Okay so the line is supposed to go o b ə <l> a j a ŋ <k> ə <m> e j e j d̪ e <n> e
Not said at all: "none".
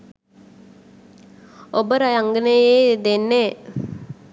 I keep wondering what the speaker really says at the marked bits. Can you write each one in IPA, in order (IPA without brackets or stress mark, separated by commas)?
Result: ɾ, ɡ, n, nː